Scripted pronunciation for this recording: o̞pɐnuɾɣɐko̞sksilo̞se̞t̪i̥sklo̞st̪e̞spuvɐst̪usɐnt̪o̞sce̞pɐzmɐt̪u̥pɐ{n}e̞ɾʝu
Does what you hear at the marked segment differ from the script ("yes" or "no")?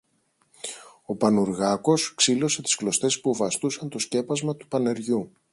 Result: no